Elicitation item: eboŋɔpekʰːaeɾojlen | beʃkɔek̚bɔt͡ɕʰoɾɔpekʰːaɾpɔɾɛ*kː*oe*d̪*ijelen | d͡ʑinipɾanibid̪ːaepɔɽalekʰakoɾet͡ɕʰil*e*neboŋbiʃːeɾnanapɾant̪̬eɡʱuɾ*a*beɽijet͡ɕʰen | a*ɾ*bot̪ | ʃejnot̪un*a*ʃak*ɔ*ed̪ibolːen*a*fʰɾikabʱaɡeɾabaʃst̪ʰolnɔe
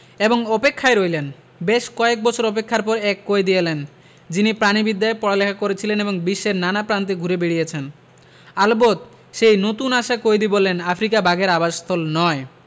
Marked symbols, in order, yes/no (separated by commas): yes, yes, yes, no, no, yes, no, yes